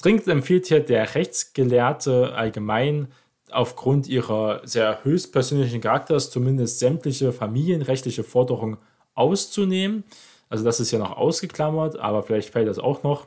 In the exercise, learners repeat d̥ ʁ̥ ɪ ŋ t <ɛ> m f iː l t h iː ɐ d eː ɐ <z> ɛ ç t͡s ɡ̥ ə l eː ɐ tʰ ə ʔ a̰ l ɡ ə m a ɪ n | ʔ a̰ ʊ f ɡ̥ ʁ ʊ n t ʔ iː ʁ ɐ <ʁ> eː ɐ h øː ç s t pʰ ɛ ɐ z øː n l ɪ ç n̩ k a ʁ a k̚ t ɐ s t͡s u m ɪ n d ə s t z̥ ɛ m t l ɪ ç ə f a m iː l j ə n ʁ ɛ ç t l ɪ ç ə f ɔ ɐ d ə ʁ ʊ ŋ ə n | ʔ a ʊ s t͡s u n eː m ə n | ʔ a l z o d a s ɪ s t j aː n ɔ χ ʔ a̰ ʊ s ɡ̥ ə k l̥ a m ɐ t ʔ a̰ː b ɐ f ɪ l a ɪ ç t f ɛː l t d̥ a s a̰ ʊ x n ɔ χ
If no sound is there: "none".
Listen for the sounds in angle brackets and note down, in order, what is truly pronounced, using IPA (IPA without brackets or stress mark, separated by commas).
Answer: ɛ, ʁ, z